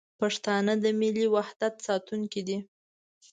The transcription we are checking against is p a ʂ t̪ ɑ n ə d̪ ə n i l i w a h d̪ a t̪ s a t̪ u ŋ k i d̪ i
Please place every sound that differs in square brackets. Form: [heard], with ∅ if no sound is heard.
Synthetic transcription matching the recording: p a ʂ t̪ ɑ n ə d̪ ə [m] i l i w a h d̪ a t̪ s [ɑ] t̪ u ŋ k i d̪ i